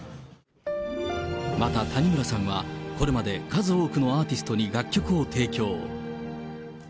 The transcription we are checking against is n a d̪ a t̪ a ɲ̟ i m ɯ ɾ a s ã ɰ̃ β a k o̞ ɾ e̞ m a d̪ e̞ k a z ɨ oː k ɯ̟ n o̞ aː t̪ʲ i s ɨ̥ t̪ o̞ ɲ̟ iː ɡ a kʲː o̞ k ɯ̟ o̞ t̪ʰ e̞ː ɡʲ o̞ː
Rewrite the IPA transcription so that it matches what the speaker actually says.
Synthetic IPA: m a t̪ a t̪ a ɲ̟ i m ɯ ɾ a s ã ɰ̃ β a k o̞ ɾ e̞ m a d̪ e̞ k a z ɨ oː k ɯ̟ n o̞ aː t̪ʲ i s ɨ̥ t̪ o̞ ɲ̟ i ɡ a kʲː o̞ k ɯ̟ o̞ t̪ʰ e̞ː kʲ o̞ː